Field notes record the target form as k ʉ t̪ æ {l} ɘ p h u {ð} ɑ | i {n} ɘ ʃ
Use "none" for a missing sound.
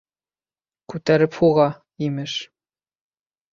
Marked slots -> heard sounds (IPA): ɾ, ʁ, m

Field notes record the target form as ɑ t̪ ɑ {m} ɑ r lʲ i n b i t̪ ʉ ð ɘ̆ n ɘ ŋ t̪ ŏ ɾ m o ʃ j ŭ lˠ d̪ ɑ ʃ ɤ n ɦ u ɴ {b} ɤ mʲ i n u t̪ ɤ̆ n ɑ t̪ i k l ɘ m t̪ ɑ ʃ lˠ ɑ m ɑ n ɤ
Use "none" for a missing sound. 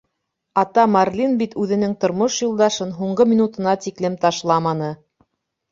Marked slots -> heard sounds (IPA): m, ɢ

